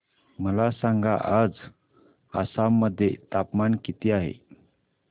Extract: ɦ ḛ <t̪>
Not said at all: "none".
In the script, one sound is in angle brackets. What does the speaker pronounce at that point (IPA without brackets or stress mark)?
none